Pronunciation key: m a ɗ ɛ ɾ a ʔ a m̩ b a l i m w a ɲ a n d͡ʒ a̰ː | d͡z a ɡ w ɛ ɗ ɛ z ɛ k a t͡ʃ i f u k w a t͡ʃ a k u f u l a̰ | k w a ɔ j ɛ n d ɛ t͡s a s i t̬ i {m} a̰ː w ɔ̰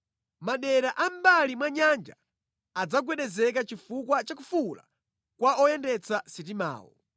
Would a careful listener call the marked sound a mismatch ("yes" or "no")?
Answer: no